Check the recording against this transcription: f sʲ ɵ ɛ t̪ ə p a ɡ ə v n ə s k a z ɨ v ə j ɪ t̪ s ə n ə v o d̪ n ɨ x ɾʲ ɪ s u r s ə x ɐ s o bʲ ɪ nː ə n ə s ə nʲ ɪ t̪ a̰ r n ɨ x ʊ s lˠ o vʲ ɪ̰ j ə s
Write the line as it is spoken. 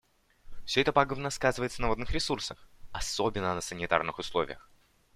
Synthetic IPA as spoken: f sʲ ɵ ɛ t̪ ə p a ɡ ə v n ə s k a z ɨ v ə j ɪ t̪ s ə n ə v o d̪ n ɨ x ɾʲ ɪ s u r s ə x ɐ s o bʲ ɪ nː ə n ə s ə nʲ ɪ t̪ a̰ r n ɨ x ʊ s lˠ o vʲ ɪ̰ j ə x